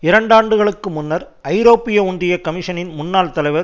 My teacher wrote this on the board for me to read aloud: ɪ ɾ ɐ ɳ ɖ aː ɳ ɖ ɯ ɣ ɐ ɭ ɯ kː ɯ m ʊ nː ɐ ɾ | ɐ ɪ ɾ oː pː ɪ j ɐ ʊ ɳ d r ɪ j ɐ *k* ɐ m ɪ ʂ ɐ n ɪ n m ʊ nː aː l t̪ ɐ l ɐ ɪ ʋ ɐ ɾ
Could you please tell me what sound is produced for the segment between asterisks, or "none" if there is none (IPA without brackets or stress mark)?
k